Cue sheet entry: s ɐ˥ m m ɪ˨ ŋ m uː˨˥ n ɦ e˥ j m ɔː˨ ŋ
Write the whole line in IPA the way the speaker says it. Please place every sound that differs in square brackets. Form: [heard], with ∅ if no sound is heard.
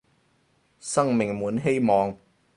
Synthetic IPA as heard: s ɐ˥ [ŋ] m ɪ˨ ŋ m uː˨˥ n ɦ e˥ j m ɔː˨ ŋ